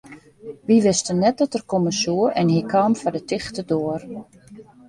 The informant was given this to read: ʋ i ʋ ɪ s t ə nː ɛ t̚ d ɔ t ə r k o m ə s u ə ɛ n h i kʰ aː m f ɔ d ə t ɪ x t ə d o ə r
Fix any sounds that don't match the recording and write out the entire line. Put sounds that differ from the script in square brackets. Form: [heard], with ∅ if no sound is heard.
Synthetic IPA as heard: ʋ i ʋ ɪ s t ə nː ɛ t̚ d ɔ t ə r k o m ə s u ə ɛ n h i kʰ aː m f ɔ d ə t ɪ x t ə d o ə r